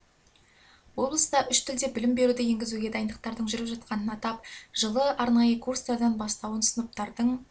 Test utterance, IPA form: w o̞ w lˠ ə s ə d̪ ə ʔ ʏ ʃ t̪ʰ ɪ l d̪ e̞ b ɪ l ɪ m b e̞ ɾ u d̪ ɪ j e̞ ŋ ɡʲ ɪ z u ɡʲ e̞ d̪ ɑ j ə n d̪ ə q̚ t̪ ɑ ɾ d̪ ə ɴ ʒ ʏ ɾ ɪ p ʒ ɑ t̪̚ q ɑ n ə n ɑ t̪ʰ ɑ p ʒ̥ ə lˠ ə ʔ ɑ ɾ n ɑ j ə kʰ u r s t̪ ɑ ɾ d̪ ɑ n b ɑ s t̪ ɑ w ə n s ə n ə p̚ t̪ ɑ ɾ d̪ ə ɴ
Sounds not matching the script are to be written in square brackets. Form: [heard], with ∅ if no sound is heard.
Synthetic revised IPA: w o̞ [b] lˠ ə s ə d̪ [ɑ] ʔ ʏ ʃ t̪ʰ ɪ l d̪ e̞ b ɪ l ɪ m b e̞ ɾ u d̪ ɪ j e̞ ŋ ɡʲ ɪ z u ɡʲ e̞ d̪ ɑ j ə n d̪ ə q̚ t̪ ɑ ɾ d̪ ə ɴ ʒ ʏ ɾ ɪ p ʒ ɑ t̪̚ q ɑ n ə n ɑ [t̪] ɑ p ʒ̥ ə lˠ ə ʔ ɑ ɾ n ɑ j ə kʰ u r s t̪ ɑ ɾ d̪ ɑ n b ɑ s t̪ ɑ w ə n s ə n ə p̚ t̪ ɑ ɾ d̪ ə ɴ

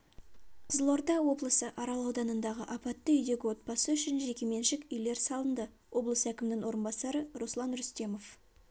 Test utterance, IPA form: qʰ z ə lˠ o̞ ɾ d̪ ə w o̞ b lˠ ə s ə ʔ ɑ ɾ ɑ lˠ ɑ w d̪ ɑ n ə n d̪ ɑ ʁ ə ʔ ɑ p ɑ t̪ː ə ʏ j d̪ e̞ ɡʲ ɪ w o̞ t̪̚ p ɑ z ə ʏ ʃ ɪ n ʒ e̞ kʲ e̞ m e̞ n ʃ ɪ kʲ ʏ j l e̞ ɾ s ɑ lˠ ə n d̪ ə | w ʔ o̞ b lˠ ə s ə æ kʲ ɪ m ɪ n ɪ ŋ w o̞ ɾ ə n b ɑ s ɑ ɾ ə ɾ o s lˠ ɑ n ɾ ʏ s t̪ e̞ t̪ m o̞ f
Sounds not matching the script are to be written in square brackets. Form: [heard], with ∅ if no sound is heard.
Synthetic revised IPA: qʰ z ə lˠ o̞ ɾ d̪ [ɑ] w o̞ b lˠ ə s ə ʔ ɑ ɾ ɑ lˠ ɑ w d̪ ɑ n ə n d̪ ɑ ʁ ə ʔ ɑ p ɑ t̪ː ə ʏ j d̪ e̞ ɡʲ ɪ w o̞ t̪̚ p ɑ [s] ə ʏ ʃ ɪ n ʒ e̞ kʲ e̞ m e̞ n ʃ ɪ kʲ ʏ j l e̞ ɾ s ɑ lˠ ə n d̪ ə | w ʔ o̞ b lˠ ə s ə æ kʲ ɪ m ɪ n ɪ ŋ w o̞ ɾ ə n b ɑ s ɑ ɾ ə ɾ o s lˠ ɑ n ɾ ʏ s t̪ e̞ [∅] m o̞ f

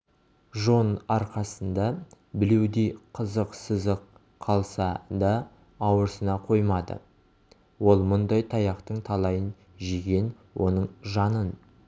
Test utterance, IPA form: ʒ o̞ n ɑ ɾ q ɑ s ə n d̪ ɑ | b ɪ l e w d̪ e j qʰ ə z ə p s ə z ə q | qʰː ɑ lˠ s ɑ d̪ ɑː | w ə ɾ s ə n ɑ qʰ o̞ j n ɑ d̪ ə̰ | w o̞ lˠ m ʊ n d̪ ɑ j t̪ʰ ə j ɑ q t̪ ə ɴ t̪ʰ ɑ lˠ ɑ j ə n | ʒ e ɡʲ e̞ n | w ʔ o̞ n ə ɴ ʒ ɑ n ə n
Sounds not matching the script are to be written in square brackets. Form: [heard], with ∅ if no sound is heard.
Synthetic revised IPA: ʒ o̞ n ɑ ɾ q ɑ s ə n d̪ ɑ | b ɪ l e w d̪ e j qʰ ə z ə [q] s ə z ə q | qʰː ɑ lˠ s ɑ d̪ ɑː | w ə ɾ s ə n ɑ qʰ o̞ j [m] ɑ d̪ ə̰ | w o̞ lˠ m ʊ n d̪ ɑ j t̪ʰ [ɑ] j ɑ q t̪ ə ɴ t̪ʰ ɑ lˠ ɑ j ə n | ʒ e ɡʲ e̞ n | w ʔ o̞ n ə ɴ ʒ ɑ n ə n

